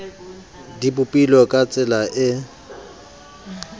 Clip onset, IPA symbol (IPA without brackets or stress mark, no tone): d